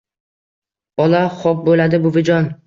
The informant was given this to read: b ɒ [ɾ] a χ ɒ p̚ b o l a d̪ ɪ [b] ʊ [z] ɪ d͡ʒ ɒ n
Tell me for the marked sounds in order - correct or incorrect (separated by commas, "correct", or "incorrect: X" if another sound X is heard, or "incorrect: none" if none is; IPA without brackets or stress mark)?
incorrect: l, correct, incorrect: v